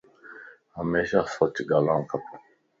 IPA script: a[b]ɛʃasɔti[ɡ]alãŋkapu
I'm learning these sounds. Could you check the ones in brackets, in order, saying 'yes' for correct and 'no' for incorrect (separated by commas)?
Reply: no, yes